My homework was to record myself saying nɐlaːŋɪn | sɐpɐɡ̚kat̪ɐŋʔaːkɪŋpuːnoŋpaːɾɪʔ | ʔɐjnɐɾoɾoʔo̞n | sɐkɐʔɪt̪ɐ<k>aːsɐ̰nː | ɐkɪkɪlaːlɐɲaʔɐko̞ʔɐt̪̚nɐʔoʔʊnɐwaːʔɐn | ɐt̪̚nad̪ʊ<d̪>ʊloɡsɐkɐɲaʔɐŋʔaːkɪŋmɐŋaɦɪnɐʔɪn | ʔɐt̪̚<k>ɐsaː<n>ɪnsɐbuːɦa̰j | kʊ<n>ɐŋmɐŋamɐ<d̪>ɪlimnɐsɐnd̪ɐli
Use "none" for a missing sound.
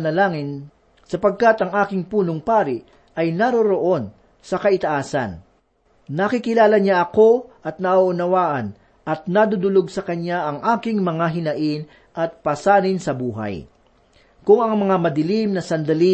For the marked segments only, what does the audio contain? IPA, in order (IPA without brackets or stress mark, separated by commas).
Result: ʔ, d̪, p, n, ŋ, d̪